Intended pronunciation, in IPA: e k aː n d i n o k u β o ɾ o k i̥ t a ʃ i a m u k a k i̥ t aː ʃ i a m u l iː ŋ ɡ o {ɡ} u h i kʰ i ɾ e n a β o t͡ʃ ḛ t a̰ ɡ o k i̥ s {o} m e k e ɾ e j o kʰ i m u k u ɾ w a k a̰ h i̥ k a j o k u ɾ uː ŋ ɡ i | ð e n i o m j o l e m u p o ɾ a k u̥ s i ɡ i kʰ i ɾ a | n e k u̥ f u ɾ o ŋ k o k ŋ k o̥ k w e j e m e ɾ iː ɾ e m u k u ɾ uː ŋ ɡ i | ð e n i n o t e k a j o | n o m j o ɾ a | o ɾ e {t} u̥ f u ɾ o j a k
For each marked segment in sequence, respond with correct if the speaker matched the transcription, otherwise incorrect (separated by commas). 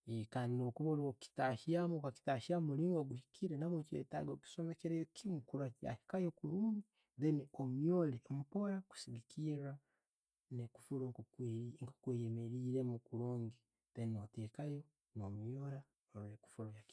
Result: correct, correct, incorrect